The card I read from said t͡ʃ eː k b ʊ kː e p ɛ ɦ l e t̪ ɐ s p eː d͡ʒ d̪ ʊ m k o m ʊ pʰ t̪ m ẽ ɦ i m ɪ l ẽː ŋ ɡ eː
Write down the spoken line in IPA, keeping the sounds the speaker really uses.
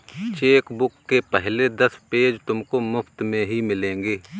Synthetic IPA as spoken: t͡ʃ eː k b ʊ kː e p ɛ ɦ l e d̪ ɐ s p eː d͡ʒ t̪ ʊ m k o m ʊ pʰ t̪ m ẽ ɦ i m ɪ l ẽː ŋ ɡ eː